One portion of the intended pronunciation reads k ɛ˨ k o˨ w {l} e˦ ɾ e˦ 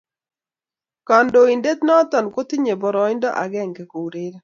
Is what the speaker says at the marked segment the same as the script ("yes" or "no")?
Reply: no